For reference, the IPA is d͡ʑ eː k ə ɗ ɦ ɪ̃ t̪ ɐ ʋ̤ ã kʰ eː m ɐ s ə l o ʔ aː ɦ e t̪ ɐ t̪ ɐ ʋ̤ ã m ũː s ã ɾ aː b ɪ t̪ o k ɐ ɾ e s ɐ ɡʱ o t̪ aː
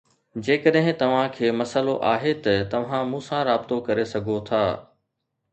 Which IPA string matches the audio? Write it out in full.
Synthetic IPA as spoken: d͡ʑ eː k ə ɗ ɦ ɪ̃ t̪ ɐ ʋ̤ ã kʰ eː m ɐ s ə l o ʔ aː ɦ e t̪ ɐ t̪ ɐ ʋ̤ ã m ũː s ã ɾ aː b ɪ t̪ o k ɐ ɾ e s ɐ ɡʱ o t̪ʰ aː